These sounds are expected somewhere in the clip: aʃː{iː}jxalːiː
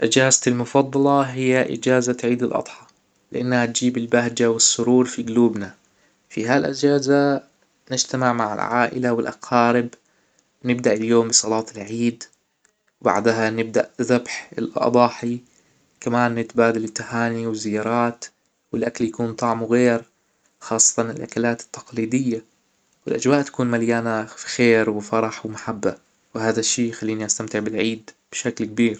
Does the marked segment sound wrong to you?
no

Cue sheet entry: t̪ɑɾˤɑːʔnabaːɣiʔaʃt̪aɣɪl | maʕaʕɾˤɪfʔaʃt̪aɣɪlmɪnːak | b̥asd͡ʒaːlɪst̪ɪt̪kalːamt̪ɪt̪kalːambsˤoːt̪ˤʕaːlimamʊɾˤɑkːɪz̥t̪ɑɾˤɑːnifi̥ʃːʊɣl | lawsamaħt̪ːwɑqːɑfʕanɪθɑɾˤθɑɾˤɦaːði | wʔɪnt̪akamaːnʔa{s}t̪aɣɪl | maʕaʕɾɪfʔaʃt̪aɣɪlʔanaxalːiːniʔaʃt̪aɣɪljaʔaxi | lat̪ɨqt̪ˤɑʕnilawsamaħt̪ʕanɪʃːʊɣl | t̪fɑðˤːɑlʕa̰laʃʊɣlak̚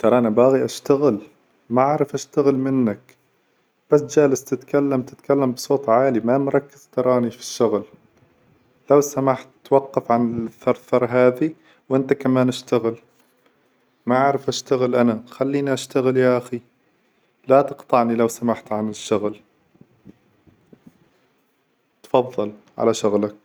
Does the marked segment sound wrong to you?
yes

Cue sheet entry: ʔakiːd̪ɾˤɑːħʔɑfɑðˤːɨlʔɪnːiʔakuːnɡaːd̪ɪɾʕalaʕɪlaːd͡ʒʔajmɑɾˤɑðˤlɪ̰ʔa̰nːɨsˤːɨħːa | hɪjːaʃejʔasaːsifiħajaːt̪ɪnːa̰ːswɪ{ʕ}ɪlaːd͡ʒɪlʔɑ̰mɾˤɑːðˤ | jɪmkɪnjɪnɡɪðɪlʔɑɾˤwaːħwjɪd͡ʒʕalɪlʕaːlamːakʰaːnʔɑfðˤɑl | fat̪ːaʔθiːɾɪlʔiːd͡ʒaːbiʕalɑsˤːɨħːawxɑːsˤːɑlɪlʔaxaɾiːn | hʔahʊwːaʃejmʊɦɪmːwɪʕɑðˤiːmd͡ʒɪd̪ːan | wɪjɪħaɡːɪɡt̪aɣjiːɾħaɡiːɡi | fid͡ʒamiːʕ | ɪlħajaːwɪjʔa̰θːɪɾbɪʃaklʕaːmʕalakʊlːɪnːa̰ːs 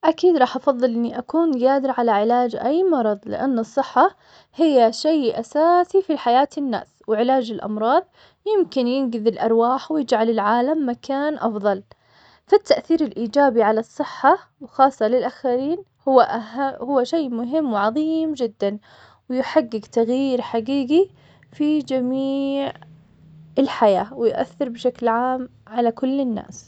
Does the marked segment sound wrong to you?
no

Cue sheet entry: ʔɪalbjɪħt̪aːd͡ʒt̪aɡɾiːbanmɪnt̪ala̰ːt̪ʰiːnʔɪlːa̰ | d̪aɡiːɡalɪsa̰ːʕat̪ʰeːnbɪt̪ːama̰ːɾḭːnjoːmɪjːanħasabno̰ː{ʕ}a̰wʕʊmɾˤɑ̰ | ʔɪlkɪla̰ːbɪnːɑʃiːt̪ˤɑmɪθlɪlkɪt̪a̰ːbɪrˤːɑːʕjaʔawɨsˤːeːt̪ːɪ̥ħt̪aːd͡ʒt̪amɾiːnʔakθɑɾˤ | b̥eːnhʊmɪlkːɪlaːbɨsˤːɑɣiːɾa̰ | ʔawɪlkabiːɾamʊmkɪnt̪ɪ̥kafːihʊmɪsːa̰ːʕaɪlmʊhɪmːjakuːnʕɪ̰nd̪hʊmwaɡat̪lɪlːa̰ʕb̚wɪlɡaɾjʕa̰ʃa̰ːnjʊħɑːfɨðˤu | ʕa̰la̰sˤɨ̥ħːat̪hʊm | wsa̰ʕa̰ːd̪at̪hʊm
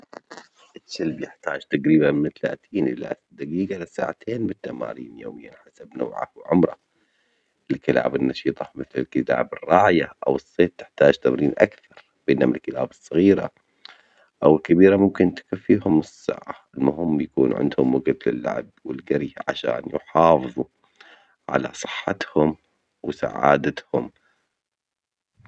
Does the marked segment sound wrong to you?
no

